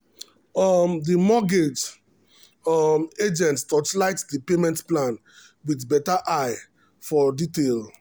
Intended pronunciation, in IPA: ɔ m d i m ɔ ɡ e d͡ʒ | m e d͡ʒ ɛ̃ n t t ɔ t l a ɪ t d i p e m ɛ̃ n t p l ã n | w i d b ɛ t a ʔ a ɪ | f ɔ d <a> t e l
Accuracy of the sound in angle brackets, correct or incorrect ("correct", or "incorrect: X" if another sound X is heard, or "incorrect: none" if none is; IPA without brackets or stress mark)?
incorrect: i